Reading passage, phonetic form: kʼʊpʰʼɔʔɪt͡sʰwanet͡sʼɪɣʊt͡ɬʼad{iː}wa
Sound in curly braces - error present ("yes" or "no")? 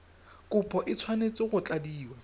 no